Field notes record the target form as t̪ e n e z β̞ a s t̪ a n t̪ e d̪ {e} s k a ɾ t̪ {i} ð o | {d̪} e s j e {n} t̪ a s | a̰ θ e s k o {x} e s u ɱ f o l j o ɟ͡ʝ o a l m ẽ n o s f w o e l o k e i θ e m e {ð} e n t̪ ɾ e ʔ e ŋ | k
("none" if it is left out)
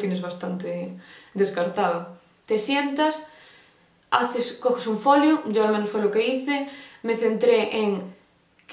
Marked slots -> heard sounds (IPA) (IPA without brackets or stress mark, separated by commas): e, a, t̪, n, x, θ